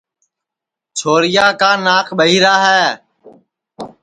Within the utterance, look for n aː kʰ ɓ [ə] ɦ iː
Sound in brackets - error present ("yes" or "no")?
no